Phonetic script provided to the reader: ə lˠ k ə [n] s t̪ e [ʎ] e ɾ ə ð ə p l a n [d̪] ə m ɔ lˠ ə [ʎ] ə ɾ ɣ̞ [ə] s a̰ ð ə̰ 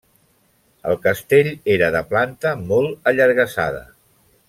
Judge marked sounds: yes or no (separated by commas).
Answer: no, yes, no, yes, yes